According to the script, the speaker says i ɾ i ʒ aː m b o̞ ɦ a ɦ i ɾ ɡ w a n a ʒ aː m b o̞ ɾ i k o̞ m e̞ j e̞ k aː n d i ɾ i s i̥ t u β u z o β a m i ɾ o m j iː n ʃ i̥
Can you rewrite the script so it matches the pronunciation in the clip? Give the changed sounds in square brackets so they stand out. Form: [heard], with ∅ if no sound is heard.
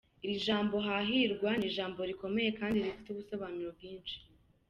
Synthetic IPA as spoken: i ɾ i ʒ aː m b o̞ ɦ a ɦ i ɾ ɡ w a n [i] ʒ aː m b o̞ ɾ i k o̞ m e̞ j e̞ k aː n d i ɾ i [f] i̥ t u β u [s] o β a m i ɾ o [b] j iː n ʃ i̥